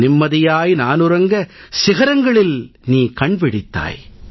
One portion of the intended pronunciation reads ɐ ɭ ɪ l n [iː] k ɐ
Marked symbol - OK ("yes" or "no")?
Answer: yes